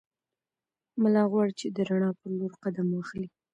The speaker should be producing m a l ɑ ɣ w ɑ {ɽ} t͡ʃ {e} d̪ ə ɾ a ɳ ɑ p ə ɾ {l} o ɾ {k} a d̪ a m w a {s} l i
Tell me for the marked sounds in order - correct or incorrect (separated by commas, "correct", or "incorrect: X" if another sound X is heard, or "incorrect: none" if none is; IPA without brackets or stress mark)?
correct, correct, correct, incorrect: q, incorrect: x